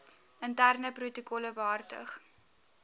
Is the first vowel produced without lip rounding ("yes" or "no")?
yes